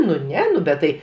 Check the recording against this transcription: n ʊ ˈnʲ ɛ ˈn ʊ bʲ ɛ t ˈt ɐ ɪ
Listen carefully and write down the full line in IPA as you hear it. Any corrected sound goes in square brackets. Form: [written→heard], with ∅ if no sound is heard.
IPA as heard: n ʊ ˈnʲ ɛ ˈn ʊ bʲ ɛ t ˈt ɐ ɪ